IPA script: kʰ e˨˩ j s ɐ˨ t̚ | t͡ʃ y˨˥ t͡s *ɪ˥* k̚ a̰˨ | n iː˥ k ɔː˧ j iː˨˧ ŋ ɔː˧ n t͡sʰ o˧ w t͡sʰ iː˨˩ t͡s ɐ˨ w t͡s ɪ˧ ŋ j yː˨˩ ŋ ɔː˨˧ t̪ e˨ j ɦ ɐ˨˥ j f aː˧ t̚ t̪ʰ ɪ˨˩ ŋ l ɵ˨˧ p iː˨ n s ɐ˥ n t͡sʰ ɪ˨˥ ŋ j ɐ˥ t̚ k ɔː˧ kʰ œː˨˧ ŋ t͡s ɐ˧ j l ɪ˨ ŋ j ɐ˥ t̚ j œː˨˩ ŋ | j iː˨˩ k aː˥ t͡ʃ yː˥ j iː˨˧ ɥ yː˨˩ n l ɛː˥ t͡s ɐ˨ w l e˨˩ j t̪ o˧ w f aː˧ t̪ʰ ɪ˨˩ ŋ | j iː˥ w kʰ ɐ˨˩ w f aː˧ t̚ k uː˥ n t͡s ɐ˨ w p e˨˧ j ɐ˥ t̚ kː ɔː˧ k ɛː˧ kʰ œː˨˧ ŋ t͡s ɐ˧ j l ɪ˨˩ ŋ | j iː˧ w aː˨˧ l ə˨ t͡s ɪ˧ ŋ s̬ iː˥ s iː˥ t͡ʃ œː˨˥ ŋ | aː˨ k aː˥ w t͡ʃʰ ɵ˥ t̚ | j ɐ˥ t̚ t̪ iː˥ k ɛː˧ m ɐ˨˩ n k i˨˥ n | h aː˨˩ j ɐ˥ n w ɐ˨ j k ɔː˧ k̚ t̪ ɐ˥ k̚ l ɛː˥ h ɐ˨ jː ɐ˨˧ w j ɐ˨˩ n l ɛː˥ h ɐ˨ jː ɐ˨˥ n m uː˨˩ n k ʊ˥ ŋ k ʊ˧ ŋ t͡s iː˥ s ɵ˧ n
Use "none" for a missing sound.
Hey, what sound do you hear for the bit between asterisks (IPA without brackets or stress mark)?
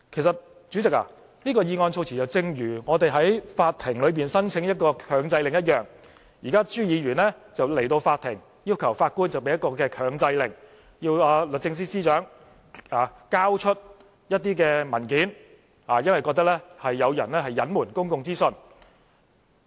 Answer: ɪ˨